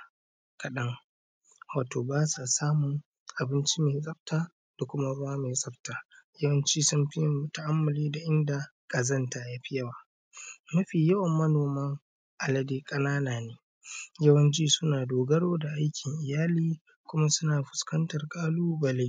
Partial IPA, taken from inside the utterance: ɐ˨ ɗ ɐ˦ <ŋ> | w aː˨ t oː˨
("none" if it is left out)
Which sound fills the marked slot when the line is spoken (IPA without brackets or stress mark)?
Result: ŋ